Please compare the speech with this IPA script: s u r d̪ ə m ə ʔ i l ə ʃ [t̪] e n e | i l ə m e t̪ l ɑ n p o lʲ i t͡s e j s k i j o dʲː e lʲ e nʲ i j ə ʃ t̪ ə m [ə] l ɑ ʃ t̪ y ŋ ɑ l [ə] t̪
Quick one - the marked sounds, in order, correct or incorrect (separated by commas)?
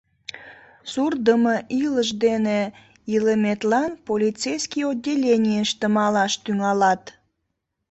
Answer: incorrect, incorrect, incorrect